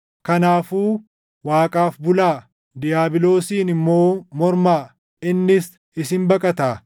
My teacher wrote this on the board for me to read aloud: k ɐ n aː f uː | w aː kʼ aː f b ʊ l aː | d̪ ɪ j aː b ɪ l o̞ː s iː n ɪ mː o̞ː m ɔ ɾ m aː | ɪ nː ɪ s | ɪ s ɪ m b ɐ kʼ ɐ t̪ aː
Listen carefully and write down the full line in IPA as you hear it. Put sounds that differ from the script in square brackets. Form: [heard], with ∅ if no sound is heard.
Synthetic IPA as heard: k ɐ n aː f uː | w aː kʼ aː f b ʊ l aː | d̪ ɪ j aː b ɪ l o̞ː s iː n ɪ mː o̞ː m ɔ ɾ m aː | ɪ nː ɪ s | ɪ s ɪ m b ɐ kʼ ɐ t̪ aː